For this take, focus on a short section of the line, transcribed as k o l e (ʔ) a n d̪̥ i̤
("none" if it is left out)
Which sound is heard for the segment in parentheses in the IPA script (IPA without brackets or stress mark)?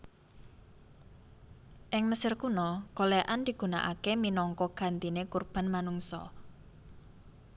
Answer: ʔ